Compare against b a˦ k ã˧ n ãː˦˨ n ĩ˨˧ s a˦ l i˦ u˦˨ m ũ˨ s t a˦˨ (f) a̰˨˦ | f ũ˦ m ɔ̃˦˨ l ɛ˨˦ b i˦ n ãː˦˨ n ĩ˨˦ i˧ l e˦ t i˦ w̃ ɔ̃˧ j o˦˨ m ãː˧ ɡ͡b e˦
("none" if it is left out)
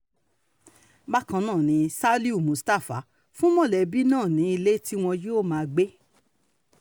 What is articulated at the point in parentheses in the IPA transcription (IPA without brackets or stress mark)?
f